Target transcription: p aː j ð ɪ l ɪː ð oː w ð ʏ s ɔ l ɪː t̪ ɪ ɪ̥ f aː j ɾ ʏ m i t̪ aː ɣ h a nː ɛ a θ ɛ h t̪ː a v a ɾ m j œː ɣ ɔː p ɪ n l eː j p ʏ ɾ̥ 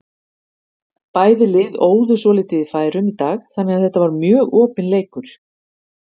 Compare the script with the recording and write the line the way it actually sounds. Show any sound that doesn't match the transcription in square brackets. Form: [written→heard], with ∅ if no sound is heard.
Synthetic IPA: p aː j ð ɪ l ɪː ð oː w ð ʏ s ɔ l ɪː t̪ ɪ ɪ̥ f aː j ɾ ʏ m i t̪ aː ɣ [h→θ] a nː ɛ a θ ɛ h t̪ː a v a ɾ m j œː ɣ ɔː p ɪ n l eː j [p→k] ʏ ɾ̥